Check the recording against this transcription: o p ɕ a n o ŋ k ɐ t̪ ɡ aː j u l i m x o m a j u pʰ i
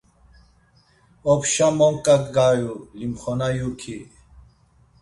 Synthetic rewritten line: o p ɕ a m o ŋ k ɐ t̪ ɡ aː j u l i m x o n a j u kʰ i